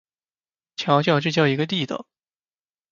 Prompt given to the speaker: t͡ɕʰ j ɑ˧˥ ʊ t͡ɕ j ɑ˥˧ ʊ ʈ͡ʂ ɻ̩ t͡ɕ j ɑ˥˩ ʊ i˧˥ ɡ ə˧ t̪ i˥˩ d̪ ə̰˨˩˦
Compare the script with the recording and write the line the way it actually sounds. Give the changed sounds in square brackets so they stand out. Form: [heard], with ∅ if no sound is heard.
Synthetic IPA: t͡ɕʰ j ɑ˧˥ ʊ t͡ɕ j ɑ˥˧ ʊ ʈ͡ʂ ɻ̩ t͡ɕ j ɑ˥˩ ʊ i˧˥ ɡ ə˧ t̪ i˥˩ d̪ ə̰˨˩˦

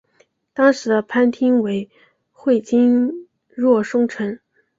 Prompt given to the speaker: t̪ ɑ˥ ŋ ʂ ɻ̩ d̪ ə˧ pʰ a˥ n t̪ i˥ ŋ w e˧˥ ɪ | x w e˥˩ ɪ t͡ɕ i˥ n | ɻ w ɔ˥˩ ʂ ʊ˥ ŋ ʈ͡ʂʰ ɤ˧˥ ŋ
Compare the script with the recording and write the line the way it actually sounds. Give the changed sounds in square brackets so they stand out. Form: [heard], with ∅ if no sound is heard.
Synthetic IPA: t̪ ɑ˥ ŋ ʂ ɻ̩ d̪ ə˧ pʰ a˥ n [t̪ʰ] i˥ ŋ w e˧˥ ɪ | x w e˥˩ ɪ t͡ɕ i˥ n | ɻ w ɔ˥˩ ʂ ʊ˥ ŋ ʈ͡ʂʰ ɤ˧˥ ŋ

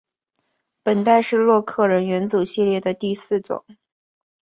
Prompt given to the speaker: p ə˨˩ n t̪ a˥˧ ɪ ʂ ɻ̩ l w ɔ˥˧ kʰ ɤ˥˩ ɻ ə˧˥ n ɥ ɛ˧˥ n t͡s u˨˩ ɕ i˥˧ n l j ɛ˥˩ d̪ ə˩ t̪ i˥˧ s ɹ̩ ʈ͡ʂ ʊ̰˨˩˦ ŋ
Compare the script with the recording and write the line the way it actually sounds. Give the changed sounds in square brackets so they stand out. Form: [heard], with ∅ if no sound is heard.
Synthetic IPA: p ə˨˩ n t̪ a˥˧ ɪ ʂ ɻ̩ l w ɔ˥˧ kʰ ɤ˥˩ ɻ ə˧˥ n ɥ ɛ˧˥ n t͡s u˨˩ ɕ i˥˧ [∅] l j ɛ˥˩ d̪ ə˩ t̪ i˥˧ s ɹ̩ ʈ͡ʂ ʊ̰˨˩˦ ŋ

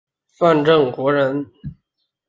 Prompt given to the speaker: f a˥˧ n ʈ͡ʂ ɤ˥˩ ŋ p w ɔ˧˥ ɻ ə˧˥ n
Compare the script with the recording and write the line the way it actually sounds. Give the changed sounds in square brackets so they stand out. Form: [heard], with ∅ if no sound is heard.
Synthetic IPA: f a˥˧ n ʈ͡ʂ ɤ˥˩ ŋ [k] w ɔ˧˥ ɻ ə˧˥ n

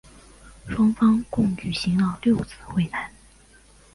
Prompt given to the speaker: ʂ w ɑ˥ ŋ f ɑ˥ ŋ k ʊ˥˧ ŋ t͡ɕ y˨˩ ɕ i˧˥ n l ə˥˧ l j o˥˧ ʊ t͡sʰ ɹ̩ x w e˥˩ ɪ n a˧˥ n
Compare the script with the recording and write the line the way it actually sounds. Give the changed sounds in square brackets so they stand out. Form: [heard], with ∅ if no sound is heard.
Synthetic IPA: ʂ w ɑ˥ ŋ f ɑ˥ ŋ k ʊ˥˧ ŋ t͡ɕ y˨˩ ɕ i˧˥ [ŋ] l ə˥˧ l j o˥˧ ʊ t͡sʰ ɹ̩ x w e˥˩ ɪ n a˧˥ n

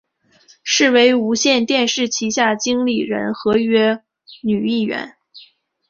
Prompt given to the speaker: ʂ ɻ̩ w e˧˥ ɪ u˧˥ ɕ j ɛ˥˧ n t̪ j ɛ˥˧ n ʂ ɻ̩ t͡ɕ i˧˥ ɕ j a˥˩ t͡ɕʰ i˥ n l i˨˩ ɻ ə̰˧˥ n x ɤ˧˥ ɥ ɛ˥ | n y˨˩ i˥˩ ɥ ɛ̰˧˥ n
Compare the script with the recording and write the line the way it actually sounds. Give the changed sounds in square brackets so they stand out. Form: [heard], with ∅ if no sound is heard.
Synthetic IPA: ʂ ɻ̩ w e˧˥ ɪ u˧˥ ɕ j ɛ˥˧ n t̪ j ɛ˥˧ n ʂ ɻ̩ [t͡ɕʰ] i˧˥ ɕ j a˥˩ [t͡ɕ] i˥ [ŋ] l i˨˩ ɻ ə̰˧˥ n x ɤ˧˥ ɥ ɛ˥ | n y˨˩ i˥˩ ɥ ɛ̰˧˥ n

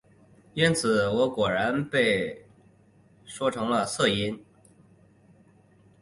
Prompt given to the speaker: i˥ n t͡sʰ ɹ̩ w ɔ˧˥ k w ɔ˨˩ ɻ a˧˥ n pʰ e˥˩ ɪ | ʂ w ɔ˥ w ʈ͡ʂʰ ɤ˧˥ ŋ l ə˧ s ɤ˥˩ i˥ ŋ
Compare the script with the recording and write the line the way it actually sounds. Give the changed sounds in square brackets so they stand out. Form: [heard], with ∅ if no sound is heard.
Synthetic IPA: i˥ n t͡sʰ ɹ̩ w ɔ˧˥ k w ɔ˨˩ ɻ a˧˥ n [p] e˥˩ ɪ | ʂ w ɔ˥ [∅] ʈ͡ʂʰ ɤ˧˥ ŋ l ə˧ s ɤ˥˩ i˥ [n]

